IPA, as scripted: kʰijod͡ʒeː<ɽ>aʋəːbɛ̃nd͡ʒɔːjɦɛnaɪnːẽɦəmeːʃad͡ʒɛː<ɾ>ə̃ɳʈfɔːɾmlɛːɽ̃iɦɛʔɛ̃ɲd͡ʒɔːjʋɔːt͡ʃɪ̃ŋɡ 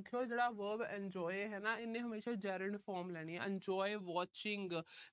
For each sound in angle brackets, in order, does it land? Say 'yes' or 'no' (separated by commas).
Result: yes, yes